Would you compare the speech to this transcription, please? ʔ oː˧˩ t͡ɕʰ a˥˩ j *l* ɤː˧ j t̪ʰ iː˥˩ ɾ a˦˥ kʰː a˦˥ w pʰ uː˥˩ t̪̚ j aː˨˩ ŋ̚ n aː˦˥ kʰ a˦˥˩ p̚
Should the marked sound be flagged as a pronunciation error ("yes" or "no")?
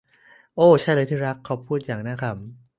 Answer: no